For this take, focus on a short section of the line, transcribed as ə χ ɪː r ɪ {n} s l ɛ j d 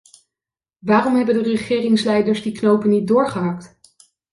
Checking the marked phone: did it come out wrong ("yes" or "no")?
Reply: yes